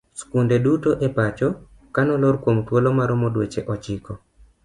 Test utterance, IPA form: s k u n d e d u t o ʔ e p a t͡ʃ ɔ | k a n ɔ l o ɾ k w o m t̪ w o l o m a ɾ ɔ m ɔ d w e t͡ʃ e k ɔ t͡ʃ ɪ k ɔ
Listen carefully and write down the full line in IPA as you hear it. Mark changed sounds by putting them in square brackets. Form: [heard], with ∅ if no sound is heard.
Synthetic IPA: s k u n d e d u t o ʔ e p a t͡ʃ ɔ | k a n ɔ l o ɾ k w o m t̪ w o l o m a ɾ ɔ m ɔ d w e t͡ʃ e [ʔ] ɔ t͡ʃ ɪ k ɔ